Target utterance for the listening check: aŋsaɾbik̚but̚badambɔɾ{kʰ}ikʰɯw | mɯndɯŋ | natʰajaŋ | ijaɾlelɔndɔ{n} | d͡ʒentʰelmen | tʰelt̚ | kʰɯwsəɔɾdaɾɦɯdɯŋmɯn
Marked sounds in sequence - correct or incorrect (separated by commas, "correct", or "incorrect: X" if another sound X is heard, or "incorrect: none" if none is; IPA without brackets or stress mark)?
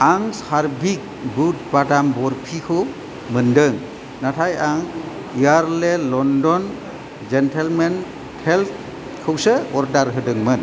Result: incorrect: pʰ, correct